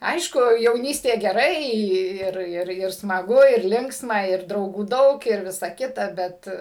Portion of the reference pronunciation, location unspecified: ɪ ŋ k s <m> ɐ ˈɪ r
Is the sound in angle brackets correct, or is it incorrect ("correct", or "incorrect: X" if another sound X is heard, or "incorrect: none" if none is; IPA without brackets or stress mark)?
correct